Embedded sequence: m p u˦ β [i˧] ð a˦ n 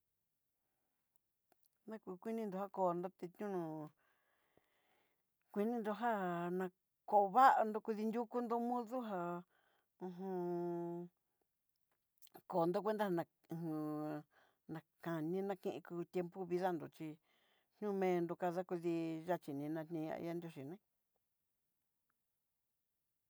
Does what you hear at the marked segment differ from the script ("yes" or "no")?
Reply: no